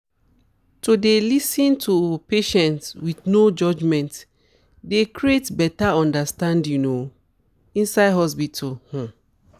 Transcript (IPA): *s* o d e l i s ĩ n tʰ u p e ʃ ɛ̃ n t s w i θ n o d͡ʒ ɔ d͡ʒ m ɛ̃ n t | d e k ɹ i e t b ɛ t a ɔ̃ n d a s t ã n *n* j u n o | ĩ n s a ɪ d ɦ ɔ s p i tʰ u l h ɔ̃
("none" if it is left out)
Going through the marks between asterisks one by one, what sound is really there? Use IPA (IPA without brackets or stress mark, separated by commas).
t, d